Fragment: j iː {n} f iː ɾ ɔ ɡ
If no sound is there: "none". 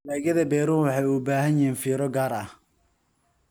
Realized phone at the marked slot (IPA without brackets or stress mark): n